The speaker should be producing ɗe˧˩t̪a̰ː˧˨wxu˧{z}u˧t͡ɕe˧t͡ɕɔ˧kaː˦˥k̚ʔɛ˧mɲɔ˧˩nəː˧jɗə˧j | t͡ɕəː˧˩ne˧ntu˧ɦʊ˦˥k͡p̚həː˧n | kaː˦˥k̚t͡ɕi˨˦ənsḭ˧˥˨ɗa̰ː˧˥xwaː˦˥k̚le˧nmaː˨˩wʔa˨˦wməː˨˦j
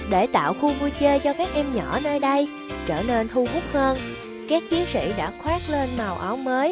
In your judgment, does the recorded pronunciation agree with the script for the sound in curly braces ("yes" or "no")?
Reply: no